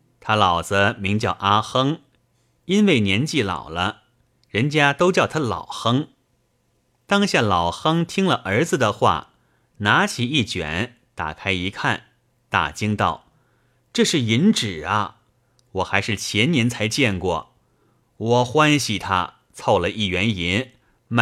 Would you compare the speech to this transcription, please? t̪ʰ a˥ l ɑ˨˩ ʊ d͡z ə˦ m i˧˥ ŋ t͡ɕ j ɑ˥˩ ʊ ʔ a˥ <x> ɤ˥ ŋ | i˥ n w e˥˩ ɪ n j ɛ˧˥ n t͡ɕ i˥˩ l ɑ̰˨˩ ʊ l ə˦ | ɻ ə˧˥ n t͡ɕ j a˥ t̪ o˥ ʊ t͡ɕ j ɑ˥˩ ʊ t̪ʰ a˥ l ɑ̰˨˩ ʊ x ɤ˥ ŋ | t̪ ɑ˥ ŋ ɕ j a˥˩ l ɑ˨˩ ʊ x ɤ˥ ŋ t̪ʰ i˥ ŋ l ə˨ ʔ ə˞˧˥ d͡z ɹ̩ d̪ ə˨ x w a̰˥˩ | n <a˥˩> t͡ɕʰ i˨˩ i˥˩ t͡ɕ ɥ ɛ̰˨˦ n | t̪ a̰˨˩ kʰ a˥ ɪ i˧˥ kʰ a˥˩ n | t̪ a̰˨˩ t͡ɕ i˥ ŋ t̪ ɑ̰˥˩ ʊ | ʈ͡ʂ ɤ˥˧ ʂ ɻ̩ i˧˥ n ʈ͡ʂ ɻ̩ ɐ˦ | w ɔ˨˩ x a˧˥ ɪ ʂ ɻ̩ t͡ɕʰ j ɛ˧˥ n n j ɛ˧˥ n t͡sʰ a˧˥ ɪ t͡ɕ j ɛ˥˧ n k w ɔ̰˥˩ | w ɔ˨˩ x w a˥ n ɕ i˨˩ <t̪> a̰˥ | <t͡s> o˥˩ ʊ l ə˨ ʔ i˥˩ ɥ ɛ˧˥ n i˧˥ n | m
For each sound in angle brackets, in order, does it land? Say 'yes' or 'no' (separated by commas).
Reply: yes, no, no, no